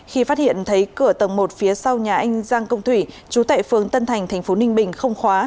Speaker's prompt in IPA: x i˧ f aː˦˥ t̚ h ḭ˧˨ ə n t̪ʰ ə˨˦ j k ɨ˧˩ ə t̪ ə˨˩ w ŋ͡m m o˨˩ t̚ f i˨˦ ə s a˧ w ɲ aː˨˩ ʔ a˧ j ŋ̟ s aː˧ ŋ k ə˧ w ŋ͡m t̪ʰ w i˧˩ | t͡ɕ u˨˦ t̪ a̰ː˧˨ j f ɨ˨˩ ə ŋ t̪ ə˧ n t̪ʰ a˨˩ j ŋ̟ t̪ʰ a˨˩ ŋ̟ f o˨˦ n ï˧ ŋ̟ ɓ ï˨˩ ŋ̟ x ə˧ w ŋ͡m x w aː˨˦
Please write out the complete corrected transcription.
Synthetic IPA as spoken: x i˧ f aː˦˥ t̚ h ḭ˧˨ ə n t̪ʰ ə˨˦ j k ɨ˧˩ ə t̪ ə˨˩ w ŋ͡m m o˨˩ t̚ f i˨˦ ə s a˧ w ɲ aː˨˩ ʔ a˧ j ŋ̟ z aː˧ ŋ k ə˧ w ŋ͡m t̪ʰ w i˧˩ | t͡ɕ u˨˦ t̪ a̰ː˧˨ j f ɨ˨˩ ə ŋ t̪ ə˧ n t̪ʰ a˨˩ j ŋ̟ t̪ʰ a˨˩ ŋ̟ f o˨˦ n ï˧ ŋ̟ ɓ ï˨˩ ŋ̟ x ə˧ w ŋ͡m x w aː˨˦

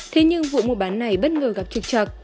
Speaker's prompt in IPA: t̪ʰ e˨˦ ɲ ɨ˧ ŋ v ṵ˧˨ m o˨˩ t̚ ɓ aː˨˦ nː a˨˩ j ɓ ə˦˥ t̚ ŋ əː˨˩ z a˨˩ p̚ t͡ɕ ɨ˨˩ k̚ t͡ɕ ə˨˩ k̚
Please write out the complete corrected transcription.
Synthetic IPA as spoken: t̪ʰ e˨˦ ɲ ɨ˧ ŋ v ṵ˧˨ m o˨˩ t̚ ɓ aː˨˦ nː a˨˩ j ɓ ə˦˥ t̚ ŋ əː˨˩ ɣ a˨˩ p̚ t͡ɕ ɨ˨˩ k̚ t͡ɕ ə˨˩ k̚

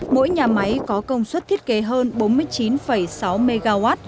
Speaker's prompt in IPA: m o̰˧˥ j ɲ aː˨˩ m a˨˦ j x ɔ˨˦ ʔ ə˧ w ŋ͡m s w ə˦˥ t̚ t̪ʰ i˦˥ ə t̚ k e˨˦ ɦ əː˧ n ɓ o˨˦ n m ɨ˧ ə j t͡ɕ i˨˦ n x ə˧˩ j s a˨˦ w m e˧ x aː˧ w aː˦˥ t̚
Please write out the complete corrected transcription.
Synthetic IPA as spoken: m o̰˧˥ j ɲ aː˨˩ m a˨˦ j k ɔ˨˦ k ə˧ w ŋ͡m s w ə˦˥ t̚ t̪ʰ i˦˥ ə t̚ k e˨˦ ɦ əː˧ n ɓ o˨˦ n m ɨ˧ ə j t͡ɕ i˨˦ n f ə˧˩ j s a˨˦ w m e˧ ɣ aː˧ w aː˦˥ t̚

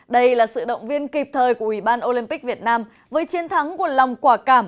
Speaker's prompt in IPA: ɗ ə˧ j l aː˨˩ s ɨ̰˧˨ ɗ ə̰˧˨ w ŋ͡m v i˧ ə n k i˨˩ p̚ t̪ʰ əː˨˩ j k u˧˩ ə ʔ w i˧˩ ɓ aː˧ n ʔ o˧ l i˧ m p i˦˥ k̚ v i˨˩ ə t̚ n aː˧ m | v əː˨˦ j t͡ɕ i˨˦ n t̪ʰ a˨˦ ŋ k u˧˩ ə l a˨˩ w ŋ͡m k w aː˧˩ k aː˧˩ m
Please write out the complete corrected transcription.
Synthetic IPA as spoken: ɗ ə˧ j l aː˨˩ s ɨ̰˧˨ ɗ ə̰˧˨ w ŋ͡m v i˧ ə n k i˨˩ p̚ t̪ʰ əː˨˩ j k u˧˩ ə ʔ w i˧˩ ɓ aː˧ n ʔ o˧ l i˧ m p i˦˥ k̚ v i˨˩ ə t̚ n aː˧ m | v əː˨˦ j t͡ɕ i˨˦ n t̪ʰ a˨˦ ŋ k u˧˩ ə l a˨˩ w ŋ͡m k w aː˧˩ k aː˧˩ m

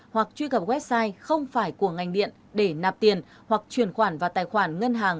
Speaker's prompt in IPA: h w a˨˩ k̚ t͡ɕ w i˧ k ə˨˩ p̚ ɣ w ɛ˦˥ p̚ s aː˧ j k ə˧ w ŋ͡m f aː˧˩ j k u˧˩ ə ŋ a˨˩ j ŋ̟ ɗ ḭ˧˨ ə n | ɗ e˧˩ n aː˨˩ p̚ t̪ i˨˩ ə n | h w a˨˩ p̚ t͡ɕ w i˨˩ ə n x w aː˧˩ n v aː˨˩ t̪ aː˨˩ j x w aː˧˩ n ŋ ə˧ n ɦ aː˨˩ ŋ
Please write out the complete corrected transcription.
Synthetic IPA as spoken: h w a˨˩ k̚ t͡ɕ w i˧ k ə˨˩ p̚ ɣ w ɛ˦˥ p̚ s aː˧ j x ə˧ w ŋ͡m f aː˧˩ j k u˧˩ ə ŋ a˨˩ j ŋ̟ ɗ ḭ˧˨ ə n | ɗ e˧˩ n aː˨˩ p̚ t̪ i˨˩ ə n | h w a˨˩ k̚ t͡ɕ w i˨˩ ə n x w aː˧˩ n v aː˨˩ t̪ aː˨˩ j x w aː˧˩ n ŋ ə˧ n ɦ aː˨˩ ŋ

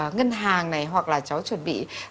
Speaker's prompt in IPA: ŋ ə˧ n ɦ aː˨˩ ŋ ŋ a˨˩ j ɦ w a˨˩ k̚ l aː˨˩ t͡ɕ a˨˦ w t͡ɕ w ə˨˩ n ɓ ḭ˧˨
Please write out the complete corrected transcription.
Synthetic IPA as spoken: ŋ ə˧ n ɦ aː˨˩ ŋ n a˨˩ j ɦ w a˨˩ k̚ l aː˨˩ t͡ɕ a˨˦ w t͡ɕ w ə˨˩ n ɓ ḭ˧˨

